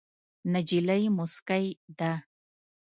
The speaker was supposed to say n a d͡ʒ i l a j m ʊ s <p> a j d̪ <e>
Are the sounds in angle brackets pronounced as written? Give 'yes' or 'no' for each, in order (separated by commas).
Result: no, no